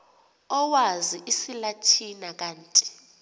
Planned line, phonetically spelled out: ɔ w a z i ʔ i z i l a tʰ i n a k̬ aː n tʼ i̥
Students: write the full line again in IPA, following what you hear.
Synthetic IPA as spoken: ɔ w a z i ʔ i s i l a tʰ i n a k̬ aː n tʼ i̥

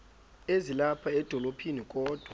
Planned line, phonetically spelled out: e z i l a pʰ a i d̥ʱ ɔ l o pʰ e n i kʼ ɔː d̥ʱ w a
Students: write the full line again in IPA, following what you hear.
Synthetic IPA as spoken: e z i l a pʰ a ɛ d̥ʱ ɔ l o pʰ i n i kʼ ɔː d̥ʱ w a

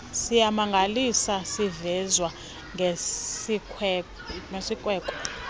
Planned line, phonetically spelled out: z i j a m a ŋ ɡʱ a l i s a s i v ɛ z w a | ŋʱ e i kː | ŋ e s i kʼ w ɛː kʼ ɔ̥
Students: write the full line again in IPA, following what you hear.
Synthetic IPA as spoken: s i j a m a ŋ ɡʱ a l i s a s i v ɛ z w a | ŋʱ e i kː | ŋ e s i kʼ w ɛː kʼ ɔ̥

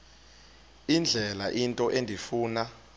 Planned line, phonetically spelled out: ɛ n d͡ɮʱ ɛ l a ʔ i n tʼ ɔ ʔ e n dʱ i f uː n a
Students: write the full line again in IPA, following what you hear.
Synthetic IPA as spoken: i n d͡ɮʱ ɛ l a ʔ i n tʼ ɔ ʔ e n dʱ i f uː n a

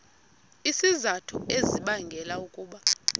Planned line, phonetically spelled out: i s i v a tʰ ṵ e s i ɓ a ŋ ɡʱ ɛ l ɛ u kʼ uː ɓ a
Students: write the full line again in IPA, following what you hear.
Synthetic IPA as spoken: i s i z a tʰ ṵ e z i ɓ a ŋ ɡʱ ɛ l a u kʼ uː ɓ a

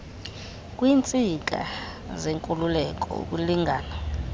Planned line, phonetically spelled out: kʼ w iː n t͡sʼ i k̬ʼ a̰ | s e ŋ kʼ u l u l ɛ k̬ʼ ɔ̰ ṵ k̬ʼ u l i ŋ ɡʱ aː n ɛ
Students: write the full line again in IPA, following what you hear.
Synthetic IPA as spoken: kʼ w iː n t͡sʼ i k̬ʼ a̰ | z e ŋ kʼ u l u l ɛ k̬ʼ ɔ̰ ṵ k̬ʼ u l i ŋ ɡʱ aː n a

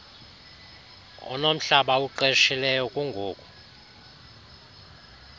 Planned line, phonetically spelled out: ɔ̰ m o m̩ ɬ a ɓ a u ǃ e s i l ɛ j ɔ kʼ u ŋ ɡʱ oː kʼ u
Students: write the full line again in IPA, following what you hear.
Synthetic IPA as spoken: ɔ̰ n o m̩ ɬ a ɓ a u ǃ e ʃ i l ɛ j ɔ kʼ u ŋ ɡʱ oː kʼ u

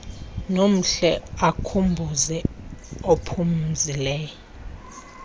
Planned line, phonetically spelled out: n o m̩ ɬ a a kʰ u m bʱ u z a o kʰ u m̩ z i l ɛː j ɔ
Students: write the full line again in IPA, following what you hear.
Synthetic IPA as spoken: n o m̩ ɬ ɛ a kʰ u m bʱ u z ɛ o pʰ u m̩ z i l ɛː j ɔ

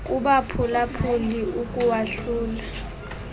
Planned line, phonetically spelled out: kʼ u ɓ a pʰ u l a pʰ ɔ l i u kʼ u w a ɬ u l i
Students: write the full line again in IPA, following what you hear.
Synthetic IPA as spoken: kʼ u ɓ a pʰ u l a pʰ u l i u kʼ u w a ɬ uː l a

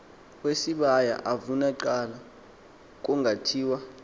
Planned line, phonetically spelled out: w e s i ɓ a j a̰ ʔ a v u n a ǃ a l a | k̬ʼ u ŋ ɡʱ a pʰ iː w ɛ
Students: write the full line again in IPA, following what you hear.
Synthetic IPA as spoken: w e s i ɓ a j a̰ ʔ a v u n a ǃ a l a | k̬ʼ u ŋ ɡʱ a tʰ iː w a

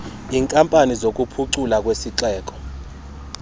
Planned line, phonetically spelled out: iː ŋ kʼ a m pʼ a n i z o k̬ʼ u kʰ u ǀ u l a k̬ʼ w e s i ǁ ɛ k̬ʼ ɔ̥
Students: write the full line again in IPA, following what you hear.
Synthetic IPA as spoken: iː ŋ kʼ a m pʼ a n i z o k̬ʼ u pʰ u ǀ u l a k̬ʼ w e s i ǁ ɛː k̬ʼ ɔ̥

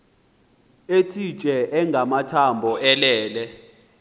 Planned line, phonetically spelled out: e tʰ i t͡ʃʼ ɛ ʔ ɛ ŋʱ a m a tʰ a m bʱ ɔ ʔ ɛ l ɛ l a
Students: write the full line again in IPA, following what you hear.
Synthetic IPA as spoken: e tʰ i t͡ʃʼ ɛ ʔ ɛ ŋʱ a m a tʰ a m bʱ ɔ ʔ ɛ l ɛː l ɛ

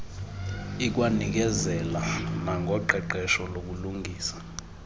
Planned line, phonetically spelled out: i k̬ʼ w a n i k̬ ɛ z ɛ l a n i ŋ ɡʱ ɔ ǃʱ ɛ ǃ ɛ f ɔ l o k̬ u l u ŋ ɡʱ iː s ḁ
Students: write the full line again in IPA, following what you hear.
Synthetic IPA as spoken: i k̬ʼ w a n i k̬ ɛ z ɛ l a n a ŋ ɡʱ ɔ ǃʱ ɛ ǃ ɛ ʃ ɔ l o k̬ u l u ŋ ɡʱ iː s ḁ

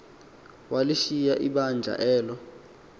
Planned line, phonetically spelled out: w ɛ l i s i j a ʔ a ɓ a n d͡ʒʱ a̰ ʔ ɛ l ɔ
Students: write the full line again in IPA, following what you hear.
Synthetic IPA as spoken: w a l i ʃ i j a ʔ i ɓ a n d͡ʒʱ a̰ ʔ ɛː l ɔ

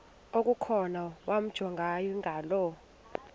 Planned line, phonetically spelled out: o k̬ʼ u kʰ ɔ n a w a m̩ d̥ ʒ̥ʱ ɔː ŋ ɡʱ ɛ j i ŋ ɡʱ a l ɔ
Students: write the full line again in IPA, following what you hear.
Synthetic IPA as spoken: o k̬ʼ u kʰ ɔ n a w a m̩ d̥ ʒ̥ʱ ɔ ŋ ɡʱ a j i ŋ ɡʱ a l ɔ

